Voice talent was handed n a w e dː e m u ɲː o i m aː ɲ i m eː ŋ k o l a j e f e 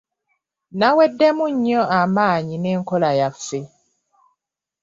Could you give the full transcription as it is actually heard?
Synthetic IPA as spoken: n a w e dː e m u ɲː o a m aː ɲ i n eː ŋ k o l a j a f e